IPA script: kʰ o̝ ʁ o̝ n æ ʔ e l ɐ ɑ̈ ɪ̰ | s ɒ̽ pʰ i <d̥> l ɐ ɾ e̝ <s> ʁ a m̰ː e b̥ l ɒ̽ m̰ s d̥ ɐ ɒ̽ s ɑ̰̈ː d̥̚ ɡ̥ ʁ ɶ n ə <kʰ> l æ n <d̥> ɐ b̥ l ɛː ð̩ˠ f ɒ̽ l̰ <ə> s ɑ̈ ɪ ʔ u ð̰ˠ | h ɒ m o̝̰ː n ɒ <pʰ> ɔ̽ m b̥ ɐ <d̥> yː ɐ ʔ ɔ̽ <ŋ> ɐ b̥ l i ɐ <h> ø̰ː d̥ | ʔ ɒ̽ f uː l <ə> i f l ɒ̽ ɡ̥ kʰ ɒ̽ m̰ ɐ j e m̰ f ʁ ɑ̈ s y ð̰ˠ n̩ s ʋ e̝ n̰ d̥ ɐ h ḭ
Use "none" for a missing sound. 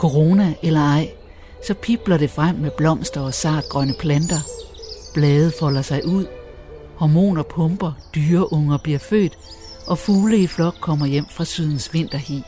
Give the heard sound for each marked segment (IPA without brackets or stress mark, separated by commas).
b̥, f, pʰ, d̥, ɐ, pʰ, d̥, ŋ, f, ə